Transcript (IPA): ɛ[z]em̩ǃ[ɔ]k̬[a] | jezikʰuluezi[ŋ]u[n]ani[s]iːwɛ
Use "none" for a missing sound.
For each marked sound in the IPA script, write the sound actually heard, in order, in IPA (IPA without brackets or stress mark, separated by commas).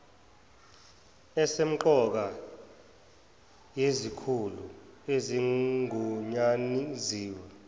s, ɔ, a, ŋ, ɲ, z